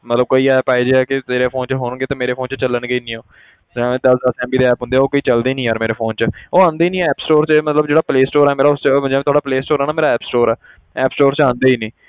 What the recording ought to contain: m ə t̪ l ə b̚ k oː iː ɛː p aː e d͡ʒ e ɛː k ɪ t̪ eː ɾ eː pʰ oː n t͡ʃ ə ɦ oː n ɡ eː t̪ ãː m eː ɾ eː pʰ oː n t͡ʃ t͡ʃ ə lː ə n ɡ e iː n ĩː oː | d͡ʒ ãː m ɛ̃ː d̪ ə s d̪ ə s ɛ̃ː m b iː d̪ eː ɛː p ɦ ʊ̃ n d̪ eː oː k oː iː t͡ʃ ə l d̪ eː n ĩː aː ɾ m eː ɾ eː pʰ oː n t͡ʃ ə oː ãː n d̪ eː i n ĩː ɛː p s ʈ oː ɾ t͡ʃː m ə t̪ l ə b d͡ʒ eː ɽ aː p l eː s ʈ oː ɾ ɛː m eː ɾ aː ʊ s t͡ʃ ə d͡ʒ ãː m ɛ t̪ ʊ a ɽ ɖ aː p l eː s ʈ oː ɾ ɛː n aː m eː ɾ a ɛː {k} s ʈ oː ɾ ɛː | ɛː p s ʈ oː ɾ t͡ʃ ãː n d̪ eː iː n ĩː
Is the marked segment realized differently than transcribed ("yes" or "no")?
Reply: yes